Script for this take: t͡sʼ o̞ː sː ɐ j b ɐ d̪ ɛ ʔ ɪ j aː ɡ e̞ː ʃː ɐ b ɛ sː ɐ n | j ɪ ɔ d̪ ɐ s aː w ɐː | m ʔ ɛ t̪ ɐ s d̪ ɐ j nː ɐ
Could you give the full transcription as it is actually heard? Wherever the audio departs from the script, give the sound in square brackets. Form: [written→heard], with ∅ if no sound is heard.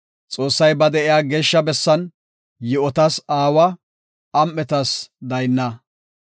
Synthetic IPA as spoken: t͡sʼ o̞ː sː ɐ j b ɐ d̪ ɛ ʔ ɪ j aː ɡ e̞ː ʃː ɐ b ɛ sː ɐ n | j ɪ ɔ [d̪→t̪] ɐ s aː w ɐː | m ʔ ɛ t̪ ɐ s d̪ ɐ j nː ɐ